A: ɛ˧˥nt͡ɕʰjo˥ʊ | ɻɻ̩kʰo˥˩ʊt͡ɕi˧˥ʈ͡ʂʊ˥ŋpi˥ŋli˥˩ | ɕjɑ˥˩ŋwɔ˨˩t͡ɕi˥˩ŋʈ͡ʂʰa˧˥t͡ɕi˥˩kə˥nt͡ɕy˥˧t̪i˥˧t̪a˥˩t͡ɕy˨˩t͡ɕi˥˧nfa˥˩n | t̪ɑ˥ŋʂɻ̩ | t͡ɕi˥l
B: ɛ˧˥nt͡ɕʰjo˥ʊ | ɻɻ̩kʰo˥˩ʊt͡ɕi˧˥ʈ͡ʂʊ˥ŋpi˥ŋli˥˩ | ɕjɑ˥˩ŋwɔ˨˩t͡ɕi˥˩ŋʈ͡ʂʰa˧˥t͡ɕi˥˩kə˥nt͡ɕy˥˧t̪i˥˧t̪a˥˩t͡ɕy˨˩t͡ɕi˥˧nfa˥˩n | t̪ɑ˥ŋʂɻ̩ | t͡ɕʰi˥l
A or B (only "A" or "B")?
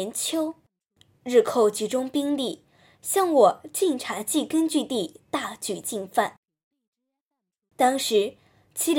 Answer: B